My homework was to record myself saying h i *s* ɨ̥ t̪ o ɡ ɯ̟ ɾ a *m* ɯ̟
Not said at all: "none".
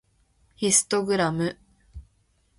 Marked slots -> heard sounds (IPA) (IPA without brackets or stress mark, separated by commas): s, m